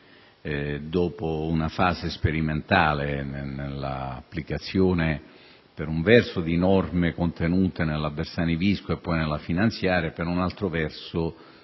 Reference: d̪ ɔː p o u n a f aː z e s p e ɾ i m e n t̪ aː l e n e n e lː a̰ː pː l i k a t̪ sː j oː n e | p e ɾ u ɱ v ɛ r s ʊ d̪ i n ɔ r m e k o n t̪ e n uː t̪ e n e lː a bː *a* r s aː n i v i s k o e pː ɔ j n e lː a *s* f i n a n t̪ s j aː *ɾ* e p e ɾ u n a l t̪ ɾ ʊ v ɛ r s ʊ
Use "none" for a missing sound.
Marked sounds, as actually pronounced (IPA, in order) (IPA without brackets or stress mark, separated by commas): e, none, ɾ